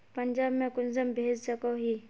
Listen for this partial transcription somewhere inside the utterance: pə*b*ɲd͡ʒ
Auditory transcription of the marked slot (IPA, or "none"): none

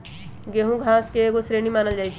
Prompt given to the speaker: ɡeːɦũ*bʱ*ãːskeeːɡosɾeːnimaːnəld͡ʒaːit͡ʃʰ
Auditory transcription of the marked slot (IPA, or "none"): ɡʱ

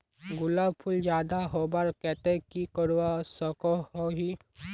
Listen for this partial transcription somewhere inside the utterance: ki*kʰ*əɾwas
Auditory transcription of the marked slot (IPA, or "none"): k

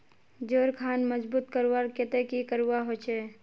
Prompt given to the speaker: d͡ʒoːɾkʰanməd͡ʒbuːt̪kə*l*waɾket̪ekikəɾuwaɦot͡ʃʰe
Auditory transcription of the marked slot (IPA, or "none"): ɾ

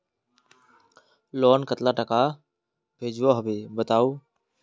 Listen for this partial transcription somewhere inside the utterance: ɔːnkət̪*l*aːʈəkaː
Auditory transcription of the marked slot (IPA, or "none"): l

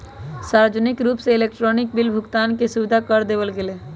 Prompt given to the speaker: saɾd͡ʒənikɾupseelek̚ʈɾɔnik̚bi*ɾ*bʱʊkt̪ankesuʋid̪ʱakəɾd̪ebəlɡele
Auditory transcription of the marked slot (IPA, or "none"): l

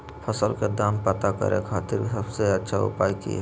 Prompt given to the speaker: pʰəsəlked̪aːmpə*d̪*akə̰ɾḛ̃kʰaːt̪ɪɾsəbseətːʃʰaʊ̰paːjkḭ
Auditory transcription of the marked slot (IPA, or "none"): t̪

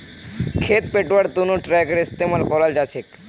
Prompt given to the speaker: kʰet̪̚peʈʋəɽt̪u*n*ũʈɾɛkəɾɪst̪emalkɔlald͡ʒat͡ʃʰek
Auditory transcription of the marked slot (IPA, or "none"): n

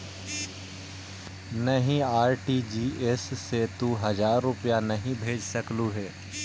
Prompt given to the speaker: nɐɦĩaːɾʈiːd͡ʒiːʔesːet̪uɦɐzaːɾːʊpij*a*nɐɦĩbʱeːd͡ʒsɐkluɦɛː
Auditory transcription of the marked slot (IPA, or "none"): a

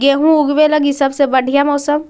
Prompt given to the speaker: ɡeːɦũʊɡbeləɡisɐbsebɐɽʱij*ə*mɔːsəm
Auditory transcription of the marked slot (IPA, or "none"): a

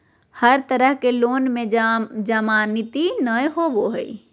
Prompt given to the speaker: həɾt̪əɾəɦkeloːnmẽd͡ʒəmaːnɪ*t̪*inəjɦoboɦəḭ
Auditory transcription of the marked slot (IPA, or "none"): t̪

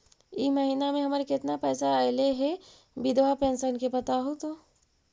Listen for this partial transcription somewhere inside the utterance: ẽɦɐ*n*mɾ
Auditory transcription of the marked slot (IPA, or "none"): none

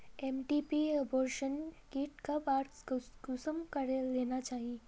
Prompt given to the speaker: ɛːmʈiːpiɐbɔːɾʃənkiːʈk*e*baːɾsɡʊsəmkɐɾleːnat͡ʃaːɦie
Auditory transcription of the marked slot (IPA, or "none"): a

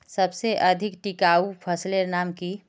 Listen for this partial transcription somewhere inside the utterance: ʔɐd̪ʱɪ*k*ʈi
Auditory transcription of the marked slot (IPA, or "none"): k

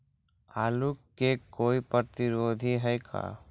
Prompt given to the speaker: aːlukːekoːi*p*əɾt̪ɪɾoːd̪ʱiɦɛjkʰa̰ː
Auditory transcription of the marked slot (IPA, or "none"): p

